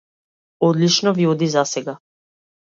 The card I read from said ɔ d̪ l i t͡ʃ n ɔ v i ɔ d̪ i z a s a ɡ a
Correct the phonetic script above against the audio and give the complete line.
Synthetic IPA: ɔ d̪ l i t͡ʃ n ɔ v i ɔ d̪ i z a s ɛ ɡ a